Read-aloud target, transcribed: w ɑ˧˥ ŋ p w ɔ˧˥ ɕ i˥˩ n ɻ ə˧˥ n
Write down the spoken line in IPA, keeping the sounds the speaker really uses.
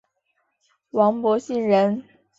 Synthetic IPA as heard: w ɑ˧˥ ŋ p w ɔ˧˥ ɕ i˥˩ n ɻ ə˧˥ n